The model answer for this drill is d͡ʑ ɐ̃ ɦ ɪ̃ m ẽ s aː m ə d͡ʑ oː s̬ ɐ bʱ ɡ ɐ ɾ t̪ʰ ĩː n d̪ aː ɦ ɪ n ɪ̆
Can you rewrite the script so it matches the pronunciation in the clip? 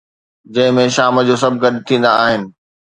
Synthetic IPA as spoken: d͡ʑ ɐ̃ ɦ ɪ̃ m ẽ ʃ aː m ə d͡ʑ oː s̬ ɐ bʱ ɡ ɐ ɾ t̪ʰ ĩː n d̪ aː ɦ ɪ n ɪ̆